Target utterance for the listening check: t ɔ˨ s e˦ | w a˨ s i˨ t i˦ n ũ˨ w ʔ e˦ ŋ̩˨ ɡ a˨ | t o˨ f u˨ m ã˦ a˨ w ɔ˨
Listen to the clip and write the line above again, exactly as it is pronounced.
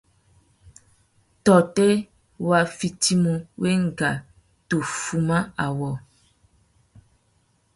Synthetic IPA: t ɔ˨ t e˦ | w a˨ f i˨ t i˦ m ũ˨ w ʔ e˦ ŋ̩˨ ɡ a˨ | t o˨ f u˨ m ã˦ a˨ w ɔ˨